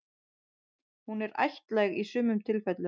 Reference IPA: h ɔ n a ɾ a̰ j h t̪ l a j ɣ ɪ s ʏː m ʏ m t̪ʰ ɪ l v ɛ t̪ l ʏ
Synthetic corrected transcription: h u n ɛ ɾ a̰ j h t̪ l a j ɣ i s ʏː m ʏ m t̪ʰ ɪ l f ɛ t̪ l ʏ